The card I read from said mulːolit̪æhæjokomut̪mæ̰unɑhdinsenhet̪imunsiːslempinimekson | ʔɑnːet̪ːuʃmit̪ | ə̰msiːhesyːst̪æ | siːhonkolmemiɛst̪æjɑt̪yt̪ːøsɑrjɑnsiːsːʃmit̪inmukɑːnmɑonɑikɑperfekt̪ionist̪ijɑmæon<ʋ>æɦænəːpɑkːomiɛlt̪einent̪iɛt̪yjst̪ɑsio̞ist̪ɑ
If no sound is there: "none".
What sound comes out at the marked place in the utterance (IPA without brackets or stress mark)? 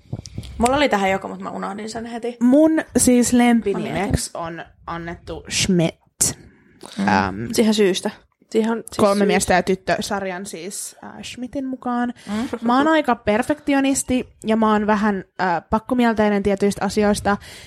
ʋ